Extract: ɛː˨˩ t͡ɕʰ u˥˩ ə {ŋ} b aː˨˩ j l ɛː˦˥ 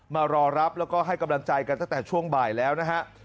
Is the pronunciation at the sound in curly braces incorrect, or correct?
correct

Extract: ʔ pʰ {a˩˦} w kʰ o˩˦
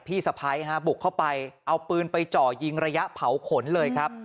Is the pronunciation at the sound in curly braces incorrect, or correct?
correct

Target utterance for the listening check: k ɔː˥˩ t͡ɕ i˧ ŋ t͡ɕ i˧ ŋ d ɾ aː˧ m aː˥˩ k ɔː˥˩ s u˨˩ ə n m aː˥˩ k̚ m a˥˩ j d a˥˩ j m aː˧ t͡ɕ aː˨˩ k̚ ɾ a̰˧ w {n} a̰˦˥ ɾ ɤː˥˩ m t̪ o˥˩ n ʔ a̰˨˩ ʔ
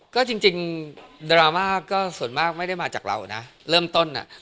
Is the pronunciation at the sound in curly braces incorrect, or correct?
correct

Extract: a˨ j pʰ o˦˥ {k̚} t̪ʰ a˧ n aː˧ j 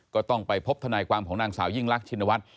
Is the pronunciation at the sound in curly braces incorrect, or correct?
incorrect: p̚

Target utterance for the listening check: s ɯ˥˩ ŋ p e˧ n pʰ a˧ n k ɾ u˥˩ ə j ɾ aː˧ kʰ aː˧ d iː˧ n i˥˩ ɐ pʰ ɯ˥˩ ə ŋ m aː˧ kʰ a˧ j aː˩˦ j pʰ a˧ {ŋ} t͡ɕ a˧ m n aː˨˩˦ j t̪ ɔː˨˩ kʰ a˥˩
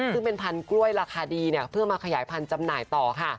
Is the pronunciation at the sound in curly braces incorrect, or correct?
incorrect: n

